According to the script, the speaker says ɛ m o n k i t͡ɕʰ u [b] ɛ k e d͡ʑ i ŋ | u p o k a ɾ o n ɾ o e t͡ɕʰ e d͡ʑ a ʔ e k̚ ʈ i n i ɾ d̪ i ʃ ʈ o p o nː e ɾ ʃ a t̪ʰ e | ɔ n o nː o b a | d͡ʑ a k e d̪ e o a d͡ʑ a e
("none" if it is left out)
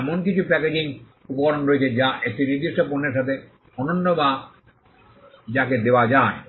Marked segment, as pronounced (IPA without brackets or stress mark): p